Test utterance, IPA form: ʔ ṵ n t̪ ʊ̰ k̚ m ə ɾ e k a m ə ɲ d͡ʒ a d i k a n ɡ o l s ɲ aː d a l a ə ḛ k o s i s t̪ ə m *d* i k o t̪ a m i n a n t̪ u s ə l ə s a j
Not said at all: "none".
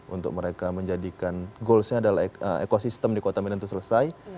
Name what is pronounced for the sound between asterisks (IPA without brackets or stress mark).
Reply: d